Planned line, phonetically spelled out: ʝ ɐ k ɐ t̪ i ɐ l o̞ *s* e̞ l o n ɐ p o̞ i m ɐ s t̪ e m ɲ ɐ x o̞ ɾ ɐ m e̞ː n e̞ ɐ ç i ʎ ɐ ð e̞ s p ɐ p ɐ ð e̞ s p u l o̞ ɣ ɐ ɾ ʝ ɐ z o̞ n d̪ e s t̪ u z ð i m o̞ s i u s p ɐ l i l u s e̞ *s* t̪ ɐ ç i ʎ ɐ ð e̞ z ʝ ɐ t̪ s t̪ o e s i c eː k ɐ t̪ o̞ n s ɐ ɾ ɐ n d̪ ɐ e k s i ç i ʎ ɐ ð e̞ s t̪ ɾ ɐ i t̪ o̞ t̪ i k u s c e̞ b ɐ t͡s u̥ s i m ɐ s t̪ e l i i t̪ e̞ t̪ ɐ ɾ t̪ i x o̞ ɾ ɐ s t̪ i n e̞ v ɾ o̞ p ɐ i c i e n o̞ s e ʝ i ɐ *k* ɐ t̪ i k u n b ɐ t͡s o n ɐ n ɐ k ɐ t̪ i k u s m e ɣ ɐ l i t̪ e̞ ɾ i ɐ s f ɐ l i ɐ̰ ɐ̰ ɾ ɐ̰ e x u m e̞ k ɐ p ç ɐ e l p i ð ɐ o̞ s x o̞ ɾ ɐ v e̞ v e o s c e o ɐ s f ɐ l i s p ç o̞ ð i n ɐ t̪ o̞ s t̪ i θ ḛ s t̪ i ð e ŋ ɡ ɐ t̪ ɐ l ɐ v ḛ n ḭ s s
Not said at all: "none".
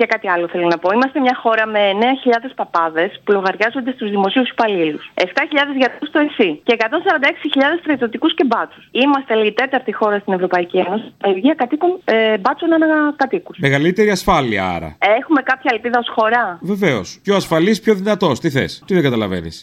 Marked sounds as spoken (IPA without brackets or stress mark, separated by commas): θ, f, k